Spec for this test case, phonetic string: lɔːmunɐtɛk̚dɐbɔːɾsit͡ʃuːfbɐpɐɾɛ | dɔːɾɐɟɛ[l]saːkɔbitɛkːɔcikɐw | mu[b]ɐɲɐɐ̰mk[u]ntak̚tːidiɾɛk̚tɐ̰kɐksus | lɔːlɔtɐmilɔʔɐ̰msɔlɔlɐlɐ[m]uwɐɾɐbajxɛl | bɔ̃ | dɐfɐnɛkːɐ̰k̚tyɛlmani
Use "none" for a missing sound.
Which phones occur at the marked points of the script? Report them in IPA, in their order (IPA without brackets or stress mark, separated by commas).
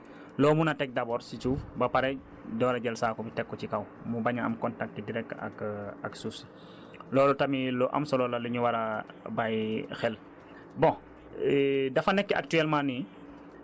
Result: l, b, ɔ, ɲ